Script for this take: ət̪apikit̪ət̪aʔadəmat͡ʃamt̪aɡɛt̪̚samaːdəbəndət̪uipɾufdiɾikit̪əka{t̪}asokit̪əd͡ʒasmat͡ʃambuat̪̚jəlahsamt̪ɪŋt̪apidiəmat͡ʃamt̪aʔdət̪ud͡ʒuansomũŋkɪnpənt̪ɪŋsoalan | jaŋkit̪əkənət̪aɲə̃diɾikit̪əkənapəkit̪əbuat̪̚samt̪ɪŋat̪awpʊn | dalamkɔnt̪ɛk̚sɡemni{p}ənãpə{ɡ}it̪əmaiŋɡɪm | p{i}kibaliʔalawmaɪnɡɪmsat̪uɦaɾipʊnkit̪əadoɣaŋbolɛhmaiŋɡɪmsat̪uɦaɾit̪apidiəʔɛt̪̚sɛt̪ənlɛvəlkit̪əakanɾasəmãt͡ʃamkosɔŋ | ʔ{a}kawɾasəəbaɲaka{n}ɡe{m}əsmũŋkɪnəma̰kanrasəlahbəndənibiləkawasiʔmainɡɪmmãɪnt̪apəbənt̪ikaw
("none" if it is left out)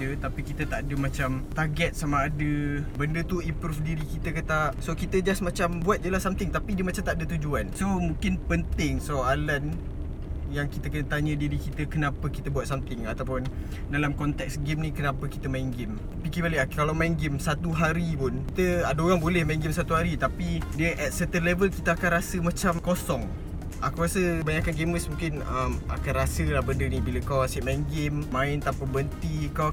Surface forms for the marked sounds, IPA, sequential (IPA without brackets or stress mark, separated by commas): t̪, k, k, i, a, n, m